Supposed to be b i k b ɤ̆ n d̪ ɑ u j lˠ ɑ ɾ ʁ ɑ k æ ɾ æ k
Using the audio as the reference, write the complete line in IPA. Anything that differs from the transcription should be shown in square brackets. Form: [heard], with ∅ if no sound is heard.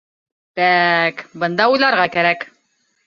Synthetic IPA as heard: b [æ] k b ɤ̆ n d̪ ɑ u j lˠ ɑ ɾ ʁ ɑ k æ ɾ æ k

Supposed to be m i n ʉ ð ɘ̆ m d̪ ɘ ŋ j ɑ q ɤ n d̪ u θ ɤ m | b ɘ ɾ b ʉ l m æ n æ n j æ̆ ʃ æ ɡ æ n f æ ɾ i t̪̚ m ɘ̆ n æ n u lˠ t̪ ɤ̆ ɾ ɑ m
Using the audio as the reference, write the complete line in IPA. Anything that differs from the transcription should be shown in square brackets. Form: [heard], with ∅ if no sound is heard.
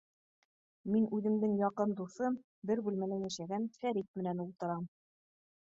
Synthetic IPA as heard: m i n ʉ ð ɘ̆ m d̪ ɘ ŋ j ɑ q ɤ n d̪ u θ ɤ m | b ɘ ɾ b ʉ l m æ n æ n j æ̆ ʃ æ ɡ æ n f æ ɾ i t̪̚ m ɘ̆ n æ n u lˠ t̪ ɤ̆ ɾ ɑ m

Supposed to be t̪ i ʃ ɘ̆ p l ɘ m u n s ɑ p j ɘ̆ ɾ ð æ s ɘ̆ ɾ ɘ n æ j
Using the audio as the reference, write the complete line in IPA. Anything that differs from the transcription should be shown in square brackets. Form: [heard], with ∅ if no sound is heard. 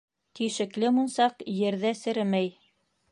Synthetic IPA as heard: t̪ i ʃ ɘ̆ [k] l ɘ m u n s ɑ [q] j ɘ̆ ɾ ð æ s ɘ̆ ɾ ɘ [m] æ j

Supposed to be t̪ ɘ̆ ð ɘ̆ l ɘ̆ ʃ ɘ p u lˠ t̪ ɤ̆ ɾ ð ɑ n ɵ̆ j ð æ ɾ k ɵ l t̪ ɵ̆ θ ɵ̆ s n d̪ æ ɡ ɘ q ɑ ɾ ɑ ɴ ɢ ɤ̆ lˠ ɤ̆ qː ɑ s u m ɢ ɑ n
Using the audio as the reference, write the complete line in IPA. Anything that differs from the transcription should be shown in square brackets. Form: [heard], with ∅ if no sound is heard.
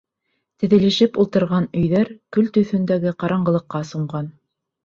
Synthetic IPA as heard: t̪ ɘ̆ ð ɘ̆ l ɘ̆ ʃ ɘ p u lˠ t̪ ɤ̆ ɾ [ʁ] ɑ n ɵ̆ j ð æ ɾ k ɵ l t̪ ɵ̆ θ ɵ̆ [∅] n d̪ æ ɡ ɘ q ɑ ɾ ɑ ɴ ɢ ɤ̆ lˠ ɤ̆ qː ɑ s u [ɴ] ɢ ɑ n

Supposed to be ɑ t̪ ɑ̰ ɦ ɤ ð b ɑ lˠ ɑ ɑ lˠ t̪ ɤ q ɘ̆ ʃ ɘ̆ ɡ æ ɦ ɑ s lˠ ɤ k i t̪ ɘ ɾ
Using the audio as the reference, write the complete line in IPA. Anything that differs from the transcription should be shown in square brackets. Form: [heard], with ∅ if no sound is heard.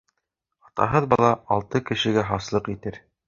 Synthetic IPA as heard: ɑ t̪ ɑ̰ ɦ ɤ ð b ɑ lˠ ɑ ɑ lˠ t̪ ɤ [k] ɘ̆ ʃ ɘ̆ ɡ æ ɦ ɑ s lˠ ɤ [q] i t̪ ɘ ɾ

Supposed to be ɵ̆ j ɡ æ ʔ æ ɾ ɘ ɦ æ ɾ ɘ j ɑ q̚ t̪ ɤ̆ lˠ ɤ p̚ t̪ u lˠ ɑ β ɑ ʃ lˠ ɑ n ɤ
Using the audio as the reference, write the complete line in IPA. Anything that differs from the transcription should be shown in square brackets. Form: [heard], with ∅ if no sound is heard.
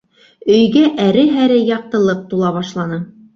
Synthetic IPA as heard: ɵ̆ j ɡ æ ʔ æ ɾ ɘ ɦ æ ɾ ɘ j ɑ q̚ t̪ ɤ̆ lˠ ɤ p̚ t̪ u lˠ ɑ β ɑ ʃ lˠ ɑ n ɤ

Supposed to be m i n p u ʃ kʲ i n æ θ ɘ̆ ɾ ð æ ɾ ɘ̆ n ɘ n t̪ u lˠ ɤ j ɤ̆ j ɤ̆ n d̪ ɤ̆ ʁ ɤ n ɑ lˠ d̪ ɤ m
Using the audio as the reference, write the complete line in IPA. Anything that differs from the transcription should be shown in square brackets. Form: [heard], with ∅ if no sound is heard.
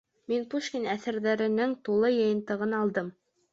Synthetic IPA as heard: m i n p u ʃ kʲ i n æ θ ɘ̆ ɾ ð æ ɾ ɘ̆ n ɘ [ŋ] t̪ u lˠ ɤ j ɤ̆ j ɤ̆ n [t̪] ɤ̆ ʁ ɤ n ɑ lˠ d̪ ɤ m

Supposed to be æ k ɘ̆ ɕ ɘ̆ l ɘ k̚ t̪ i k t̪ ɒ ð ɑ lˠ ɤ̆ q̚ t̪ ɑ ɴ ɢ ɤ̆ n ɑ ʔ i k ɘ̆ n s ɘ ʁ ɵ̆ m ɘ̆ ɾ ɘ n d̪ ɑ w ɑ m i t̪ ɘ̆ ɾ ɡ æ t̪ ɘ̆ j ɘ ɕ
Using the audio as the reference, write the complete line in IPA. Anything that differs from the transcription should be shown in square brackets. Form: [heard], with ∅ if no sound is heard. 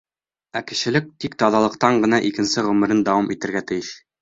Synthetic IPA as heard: æ k ɘ̆ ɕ ɘ̆ l ɘ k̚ t̪ i k t̪ ɒ ð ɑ lˠ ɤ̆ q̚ t̪ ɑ ɴ ɢ ɤ̆ n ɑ ʔ i k ɘ̆ n s ɘ ʁ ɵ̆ m ɘ̆ ɾ ɘ n d̪ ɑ w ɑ m i t̪ ɘ̆ ɾ ɡ æ t̪ ɘ̆ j ɘ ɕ

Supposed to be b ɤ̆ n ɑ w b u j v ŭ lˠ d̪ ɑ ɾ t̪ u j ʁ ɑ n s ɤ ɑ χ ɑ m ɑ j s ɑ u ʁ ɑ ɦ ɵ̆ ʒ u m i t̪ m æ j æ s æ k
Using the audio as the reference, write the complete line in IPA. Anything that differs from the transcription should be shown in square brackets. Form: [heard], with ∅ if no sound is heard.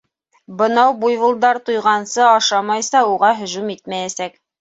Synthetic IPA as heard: b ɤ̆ n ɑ w b u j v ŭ lˠ d̪ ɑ ɾ t̪ u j ʁ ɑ n s ɤ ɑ [ʃ] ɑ m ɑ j s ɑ u ʁ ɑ ɦ ɵ̆ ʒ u m i t̪ m æ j æ s æ k

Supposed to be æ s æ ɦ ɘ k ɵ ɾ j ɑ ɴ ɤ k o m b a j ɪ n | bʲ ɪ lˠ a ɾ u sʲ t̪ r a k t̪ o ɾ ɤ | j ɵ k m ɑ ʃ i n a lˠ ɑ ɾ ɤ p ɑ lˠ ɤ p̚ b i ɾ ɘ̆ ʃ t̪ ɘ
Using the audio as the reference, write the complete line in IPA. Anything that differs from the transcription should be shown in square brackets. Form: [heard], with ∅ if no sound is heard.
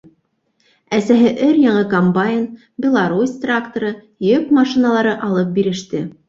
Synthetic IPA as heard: æ s æ ɦ ɘ [ʔ] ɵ ɾ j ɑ ɴ ɤ k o m b a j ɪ n | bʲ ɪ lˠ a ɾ u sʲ t̪ r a k t̪ o ɾ ɤ | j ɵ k m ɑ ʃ i n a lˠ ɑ ɾ ɤ [ʔ] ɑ lˠ ɤ p̚ b i ɾ ɘ̆ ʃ t̪ ɘ

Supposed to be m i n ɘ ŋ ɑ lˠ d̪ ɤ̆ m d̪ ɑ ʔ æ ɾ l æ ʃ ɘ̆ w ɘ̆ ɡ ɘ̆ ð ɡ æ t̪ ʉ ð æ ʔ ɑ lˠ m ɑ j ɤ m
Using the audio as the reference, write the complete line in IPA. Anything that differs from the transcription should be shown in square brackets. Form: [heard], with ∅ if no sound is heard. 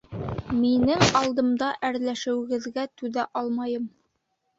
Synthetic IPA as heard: m i n ɘ ŋ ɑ lˠ d̪ ɤ̆ m d̪ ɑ ʔ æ ɾ l æ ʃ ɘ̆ w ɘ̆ ɡ ɘ̆ ð ɡ æ t̪ ʉ ð æ ʔ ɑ lˠ m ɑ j ɤ m

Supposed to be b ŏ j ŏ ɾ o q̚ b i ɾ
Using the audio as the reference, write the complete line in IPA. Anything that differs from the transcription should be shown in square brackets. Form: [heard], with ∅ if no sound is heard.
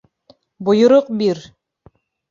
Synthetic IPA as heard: b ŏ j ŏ ɾ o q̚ b i ɾ

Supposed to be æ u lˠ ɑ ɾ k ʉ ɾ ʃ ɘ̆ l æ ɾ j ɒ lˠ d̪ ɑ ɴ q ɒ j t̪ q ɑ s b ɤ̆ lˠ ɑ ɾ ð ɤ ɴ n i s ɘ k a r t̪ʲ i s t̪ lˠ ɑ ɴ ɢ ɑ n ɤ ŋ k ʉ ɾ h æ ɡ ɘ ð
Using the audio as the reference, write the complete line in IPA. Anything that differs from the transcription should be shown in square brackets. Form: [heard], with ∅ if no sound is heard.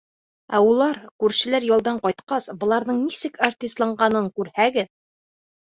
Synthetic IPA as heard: æ u lˠ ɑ ɾ k ʉ ɾ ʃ ɘ̆ l æ ɾ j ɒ lˠ d̪ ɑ ɴ q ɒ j t̪ q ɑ s b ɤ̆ lˠ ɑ ɾ ð ɤ ɴ n i s ɘ k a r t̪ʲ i s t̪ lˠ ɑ ɴ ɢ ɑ n ɤ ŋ k ʉ ɾ h æ ɡ ɘ ð

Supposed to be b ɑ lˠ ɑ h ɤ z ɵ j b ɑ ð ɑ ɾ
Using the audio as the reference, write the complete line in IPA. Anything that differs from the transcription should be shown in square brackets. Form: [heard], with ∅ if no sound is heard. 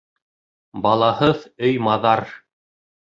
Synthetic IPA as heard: b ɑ lˠ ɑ h ɤ [ð] ɵ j [m] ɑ ð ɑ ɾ

